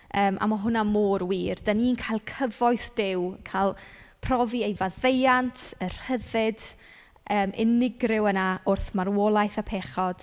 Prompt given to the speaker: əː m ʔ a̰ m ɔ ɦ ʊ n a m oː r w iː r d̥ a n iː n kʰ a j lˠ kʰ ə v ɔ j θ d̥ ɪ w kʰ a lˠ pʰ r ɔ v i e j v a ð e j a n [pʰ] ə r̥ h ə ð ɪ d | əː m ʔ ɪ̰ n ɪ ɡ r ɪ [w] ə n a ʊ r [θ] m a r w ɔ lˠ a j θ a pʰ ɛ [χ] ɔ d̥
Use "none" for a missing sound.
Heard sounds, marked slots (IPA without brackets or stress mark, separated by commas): tʰ, w, θ, χ